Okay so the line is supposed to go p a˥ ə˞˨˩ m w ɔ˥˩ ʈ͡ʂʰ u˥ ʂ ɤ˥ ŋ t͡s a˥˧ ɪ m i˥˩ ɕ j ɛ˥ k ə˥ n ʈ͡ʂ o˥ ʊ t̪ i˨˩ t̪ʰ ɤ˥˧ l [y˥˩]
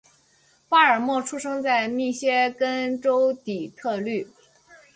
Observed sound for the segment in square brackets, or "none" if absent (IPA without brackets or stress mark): y˥˩